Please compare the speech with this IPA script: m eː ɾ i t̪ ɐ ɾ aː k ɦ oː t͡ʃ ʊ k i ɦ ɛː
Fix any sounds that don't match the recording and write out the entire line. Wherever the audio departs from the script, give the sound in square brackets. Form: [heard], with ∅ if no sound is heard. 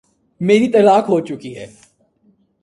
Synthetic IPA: m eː ɾ i t̪ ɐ [l] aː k ɦ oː t͡ʃ ʊ k i ɦ ɛː